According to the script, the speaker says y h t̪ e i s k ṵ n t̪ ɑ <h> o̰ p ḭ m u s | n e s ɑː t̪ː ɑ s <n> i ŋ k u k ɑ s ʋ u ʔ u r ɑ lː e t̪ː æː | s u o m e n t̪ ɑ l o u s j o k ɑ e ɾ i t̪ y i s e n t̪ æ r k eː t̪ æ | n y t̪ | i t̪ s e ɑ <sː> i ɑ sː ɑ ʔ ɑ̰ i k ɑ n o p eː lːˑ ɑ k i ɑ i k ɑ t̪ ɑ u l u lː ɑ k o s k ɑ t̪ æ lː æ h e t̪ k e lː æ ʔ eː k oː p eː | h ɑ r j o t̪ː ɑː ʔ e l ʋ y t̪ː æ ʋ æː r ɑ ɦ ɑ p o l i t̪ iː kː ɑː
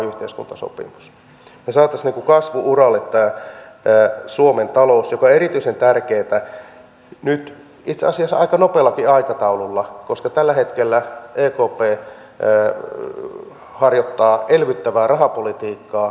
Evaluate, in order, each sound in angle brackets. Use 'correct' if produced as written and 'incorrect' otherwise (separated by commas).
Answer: incorrect, correct, incorrect